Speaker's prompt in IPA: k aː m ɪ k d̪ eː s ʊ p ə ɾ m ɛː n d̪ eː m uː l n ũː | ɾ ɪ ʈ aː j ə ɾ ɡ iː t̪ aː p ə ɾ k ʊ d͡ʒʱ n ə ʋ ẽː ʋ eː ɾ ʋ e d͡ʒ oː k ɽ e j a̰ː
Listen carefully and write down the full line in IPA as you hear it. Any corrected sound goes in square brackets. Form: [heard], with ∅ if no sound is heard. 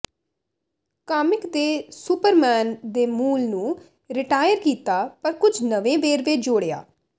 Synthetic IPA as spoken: k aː m ɪ k d̪ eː s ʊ p ə ɾ m ɛː n d̪ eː m uː l n ũː | ɾ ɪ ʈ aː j ə ɾ [k] iː t̪ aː p ə ɾ k ʊ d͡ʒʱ n ə ʋ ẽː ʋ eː ɾ ʋ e d͡ʒ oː [∅] ɽ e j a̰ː

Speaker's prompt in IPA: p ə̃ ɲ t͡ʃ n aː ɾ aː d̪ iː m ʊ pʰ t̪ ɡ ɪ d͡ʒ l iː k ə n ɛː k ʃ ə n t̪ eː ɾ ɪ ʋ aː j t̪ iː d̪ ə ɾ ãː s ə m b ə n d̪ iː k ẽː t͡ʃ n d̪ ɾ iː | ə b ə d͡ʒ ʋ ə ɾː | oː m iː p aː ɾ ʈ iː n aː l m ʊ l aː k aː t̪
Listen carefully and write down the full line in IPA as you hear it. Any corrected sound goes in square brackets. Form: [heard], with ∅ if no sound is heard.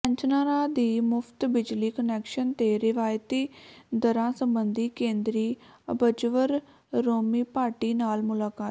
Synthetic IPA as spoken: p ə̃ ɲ t͡ʃ n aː ɾ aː d̪ iː m ʊ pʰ t̪ [b] ɪ d͡ʒ l iː k ə n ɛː k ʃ ə n t̪ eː ɾ ɪ ʋ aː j t̪ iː d̪ ə ɾ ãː s ə m b ə n d̪ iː k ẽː [∅] n d̪ ɾ iː | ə b ə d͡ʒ ʋ ə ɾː | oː m iː p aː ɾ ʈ iː n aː l m ʊ l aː k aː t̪

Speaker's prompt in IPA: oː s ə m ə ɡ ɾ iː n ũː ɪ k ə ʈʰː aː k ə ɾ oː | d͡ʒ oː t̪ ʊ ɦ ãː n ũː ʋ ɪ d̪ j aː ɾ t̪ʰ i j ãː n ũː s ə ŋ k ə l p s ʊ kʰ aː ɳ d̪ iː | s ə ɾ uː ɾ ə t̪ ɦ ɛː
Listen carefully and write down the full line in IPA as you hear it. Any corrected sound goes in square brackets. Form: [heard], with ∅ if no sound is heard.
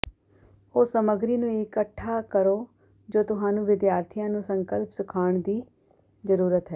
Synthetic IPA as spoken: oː s ə m ə ɡ ɾ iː n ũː ɪ k ə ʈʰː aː k ə ɾ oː | d͡ʒ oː t̪ ʊ ɦ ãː n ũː ʋ ɪ d̪ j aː ɾ t̪ʰ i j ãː n ũː s ə ŋ k ə l p s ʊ kʰ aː ɳ d̪ iː | [z] ə ɾ uː ɾ ə t̪ ɦ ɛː

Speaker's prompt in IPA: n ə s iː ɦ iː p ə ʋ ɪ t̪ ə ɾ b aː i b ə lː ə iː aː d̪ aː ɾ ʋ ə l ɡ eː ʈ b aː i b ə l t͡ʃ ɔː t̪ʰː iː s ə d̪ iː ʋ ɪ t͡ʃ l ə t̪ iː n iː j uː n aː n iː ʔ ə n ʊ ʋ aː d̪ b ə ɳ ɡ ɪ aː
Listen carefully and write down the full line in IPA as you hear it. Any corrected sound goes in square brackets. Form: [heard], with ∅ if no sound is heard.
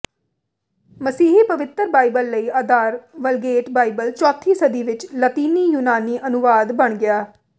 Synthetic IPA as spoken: [m] ə s iː ɦ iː p ə ʋ ɪ t̪ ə ɾ b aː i b ə lː ə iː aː d̪ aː ɾ ʋ ə l ɡ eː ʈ b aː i b ə l t͡ʃ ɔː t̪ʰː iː s ə d̪ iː ʋ ɪ t͡ʃ l ə t̪ iː n iː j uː n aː n iː ʔ ə n ʊ ʋ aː d̪ b ə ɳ ɡ ɪ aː

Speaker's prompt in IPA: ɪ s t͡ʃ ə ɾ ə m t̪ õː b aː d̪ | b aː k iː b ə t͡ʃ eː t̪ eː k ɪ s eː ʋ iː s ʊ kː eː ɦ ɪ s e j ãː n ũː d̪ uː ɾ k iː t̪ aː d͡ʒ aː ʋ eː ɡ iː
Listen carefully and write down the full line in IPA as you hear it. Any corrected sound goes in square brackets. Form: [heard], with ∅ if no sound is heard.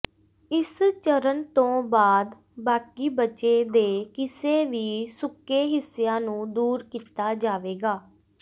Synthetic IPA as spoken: ɪ s t͡ʃ ə ɾ ə [n] t̪ õː b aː d̪ | b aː k iː b ə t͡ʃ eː [d̪] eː k ɪ s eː ʋ iː s ʊ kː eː ɦ ɪ s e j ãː n ũː d̪ uː ɾ k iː t̪ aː d͡ʒ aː ʋ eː ɡ [aː]

